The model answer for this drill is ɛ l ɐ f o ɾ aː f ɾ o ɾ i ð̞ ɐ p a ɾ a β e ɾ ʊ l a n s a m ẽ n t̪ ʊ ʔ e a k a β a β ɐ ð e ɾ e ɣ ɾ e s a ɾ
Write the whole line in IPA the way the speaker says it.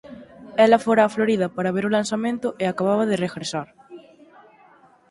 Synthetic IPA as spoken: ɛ l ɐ f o ɾ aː f l o ɾ i ð̞ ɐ p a ɾ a β e ɾ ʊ l a n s a m ẽ n t̪ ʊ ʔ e a k a β a β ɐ ð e r e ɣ ɾ e s a ɾ